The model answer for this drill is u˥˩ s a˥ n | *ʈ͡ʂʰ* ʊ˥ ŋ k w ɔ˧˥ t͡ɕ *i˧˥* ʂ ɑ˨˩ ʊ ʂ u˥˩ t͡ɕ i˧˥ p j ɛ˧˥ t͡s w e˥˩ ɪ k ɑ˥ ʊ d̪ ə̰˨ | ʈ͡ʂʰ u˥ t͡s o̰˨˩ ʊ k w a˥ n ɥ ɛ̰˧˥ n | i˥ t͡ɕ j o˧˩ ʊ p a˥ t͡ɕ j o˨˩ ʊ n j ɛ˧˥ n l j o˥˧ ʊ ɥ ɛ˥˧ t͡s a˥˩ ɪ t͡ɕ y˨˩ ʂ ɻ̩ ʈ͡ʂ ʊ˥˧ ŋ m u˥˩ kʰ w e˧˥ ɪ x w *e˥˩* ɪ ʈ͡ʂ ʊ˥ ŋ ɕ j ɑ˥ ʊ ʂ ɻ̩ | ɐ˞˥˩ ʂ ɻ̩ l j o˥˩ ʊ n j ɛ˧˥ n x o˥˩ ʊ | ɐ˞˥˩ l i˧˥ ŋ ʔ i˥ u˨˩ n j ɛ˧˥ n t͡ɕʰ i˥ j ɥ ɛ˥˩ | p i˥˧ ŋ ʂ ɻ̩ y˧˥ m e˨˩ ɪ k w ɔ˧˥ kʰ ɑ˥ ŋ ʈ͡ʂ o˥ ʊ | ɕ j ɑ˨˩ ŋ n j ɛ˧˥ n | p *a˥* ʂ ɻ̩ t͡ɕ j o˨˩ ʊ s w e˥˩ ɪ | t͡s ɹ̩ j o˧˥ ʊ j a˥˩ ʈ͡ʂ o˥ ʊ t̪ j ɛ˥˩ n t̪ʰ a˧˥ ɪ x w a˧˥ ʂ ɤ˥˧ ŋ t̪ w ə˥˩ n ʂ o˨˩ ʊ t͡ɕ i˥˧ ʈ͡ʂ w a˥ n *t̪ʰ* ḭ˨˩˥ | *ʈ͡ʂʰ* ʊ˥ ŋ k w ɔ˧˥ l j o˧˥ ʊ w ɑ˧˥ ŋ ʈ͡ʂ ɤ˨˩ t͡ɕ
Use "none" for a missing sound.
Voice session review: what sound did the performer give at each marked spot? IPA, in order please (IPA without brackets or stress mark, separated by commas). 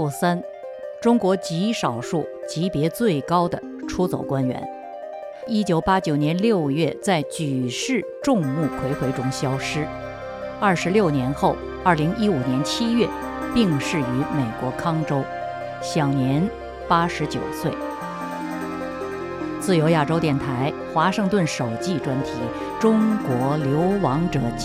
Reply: ʈ͡ʂ, i˧˥, e˧˥, a˥, t̪ʰ, ʈ͡ʂ